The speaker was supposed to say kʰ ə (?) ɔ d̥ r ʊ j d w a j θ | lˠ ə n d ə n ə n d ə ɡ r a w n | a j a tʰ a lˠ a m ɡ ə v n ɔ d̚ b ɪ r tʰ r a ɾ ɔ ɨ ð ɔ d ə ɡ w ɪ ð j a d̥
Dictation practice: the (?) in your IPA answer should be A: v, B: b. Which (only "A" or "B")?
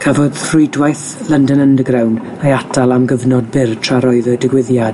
A